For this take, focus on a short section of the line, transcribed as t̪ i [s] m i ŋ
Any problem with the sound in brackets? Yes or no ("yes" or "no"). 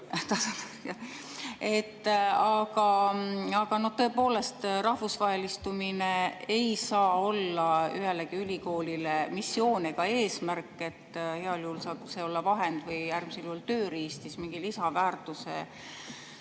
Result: no